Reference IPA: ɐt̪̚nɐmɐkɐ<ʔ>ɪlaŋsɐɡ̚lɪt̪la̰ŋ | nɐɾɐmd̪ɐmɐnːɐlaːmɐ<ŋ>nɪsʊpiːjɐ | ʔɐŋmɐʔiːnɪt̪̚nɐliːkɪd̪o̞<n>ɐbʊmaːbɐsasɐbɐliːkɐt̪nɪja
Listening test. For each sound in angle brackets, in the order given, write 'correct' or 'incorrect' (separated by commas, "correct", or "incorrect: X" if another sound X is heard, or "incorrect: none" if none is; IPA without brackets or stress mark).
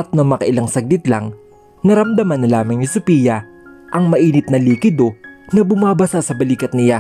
correct, correct, correct